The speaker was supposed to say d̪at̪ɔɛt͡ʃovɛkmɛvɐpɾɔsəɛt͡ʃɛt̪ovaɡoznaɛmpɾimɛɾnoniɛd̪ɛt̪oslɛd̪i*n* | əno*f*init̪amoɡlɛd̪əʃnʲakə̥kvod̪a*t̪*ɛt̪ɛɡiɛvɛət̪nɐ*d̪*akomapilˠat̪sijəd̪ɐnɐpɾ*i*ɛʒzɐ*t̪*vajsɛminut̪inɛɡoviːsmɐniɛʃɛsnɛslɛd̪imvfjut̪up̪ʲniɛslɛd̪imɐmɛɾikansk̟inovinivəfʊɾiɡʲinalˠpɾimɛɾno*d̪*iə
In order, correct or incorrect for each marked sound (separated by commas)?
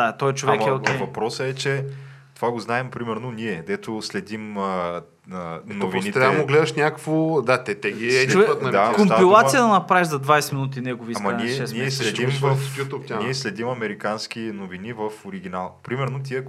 incorrect, incorrect, correct, correct, incorrect, incorrect, incorrect